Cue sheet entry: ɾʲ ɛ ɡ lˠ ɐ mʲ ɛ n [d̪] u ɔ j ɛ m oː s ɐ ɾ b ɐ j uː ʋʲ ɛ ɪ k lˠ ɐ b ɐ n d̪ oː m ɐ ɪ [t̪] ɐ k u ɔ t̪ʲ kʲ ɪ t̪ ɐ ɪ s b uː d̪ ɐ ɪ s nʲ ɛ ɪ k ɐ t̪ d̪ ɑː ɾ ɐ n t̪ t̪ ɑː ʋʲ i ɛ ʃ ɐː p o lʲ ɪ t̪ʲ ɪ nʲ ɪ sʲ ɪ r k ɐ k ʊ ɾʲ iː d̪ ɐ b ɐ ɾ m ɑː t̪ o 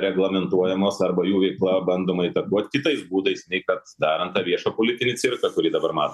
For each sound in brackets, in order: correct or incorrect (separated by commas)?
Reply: incorrect, correct